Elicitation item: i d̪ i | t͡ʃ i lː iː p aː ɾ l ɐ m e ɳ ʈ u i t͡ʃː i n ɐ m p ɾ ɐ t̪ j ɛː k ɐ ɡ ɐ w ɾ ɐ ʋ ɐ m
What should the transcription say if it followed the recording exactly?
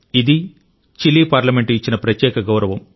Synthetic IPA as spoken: i d̪ i | t͡ʃ i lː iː p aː ɾ l ɐ m e ɳ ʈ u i t͡ʃː i n ɐ p ɾ ɐ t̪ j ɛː k ɐ ɡ ɐ w ɾ ɐ ʋ ɐ m

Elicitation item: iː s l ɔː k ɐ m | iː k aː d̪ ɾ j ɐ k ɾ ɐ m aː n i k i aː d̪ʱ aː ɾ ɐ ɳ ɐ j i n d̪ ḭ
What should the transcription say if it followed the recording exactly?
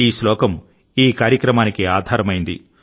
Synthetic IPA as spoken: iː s l ɔː k ɐ m | iː k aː ɾ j ɐ k ɾ ɐ m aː n i k i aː d̪ʱ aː ɾ ɐ m ɐ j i n d̪ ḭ

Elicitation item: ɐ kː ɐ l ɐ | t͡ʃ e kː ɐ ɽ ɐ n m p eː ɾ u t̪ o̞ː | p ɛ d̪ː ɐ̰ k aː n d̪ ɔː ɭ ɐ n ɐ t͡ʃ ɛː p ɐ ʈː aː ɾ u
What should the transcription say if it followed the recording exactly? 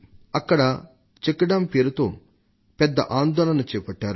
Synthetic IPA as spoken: ɐ kː ɐ ɽ ɐ | t͡ʃ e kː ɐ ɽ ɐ m p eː ɾ u t̪ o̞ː | p ɛ d̪ː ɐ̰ ʔ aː n d̪ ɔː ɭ ɐ n ɐ t͡ʃ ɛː p ɐ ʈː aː ɾ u

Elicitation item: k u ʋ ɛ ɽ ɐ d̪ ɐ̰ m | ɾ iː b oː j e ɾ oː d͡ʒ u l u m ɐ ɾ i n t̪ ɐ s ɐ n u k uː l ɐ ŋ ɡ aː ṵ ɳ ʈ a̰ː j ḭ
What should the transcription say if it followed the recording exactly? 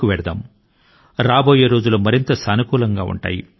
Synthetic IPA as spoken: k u ʋ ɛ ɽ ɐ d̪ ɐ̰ m | ɾ aː b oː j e ɾ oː d͡ʒ u l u m ɐ ɾ i n t̪ ɐ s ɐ n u k uː l ɐ ŋ ɡ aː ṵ ɳ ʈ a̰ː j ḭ

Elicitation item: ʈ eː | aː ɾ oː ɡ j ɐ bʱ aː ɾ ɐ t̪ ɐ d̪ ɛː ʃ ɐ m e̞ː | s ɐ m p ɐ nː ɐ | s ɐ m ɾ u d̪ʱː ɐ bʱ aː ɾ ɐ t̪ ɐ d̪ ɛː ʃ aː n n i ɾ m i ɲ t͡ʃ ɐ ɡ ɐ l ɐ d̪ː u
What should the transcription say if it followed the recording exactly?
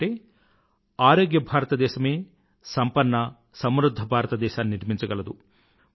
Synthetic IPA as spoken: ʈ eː | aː ɾ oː ɡ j ɐ bʱ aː ɾ ɐ t̪ ɐ d̪ ɛː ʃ ɐ m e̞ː | s ɐ m p ɐ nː ɐ | s ɐ m ɾ u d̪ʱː ɐ bʱ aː ɾ ɐ t̪ ɐ d̪ ɛː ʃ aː n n i ɾ m i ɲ t͡ʃ ɐ ɡ ɐ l ɐ d̪ u

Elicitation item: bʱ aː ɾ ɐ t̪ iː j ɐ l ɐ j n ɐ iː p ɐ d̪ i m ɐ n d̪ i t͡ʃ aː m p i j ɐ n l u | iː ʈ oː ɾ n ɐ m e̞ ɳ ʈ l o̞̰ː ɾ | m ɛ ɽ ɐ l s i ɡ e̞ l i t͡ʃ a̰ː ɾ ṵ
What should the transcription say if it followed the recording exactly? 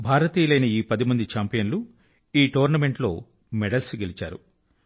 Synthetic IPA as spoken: bʱ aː ɾ ɐ t̪ iː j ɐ l ɐ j n ɐ iː p ɐ d̪ i m ɐ n d̪ i t͡ʃ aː m p i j ɐ n l u | iː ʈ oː ɾ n ɐ m e̞ ɳ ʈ l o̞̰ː | m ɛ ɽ ɐ l s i ɡ e̞ l i t͡ʃ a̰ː ɾ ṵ

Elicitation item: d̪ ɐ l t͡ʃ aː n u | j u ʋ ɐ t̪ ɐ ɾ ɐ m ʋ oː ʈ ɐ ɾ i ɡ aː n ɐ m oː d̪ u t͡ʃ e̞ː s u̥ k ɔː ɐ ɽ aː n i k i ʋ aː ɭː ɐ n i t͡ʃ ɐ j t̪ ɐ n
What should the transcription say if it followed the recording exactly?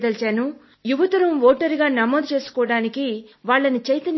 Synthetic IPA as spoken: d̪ ɐ l t͡ʃ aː n u | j u ʋ ɐ t̪ ɐ ɾ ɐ m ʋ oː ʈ ɐ ɾ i ɡ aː n ɐ m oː d̪ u t͡ʃ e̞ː s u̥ k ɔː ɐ ɽ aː n i k i ʋ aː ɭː ɐ n i t͡ʃ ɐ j t̪ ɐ n

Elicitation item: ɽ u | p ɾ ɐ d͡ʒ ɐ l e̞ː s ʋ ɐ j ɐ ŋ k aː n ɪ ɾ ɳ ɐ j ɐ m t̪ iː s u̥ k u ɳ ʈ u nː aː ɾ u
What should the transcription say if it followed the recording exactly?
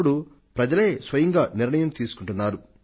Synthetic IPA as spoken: ɽ u | p ɾ ɐ d͡ʒ ɐ l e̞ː s ʋ ɐ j ɐ ŋ ɡ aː n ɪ ɾ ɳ ɐ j ɐ m t̪ iː s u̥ k u ɳ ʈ u nː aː ɾ u

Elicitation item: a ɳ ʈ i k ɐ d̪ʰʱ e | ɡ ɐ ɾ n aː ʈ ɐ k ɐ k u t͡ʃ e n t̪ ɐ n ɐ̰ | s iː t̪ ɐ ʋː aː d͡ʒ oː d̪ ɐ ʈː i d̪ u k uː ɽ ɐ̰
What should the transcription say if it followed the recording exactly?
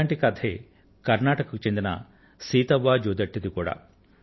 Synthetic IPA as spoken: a ɳ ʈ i k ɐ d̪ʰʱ e | k ɐ ɾ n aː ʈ ɐ k ɐ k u t͡ʃ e n d̪ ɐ n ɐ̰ | s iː t̪ ɐ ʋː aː d͡ʒ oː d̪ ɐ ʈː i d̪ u k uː ɽ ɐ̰

